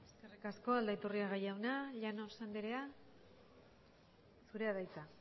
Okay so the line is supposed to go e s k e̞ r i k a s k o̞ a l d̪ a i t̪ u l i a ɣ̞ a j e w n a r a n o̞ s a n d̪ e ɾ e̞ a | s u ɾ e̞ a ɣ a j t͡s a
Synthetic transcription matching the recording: e s k e̞ r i k a s k o̞ a l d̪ a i t̪ u r i a ɣ̞ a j a w n a ʎ a n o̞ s a n d̪ e ɾ e̞ a | s u ɾ e̞ a ð a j t͡s a